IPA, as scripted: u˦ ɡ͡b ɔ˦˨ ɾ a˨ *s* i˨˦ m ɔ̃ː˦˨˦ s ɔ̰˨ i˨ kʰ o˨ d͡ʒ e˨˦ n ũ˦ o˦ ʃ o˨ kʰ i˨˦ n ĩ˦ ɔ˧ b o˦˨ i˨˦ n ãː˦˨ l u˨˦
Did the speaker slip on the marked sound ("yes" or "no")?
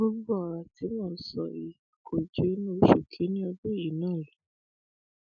yes